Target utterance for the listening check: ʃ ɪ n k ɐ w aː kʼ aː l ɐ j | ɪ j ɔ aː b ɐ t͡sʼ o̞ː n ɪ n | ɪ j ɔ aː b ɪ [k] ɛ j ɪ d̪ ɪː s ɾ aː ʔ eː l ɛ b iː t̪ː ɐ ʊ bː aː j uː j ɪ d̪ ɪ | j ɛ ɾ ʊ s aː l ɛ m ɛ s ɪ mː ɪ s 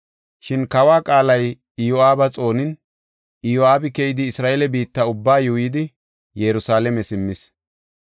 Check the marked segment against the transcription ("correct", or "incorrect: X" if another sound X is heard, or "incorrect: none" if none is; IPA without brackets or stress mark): correct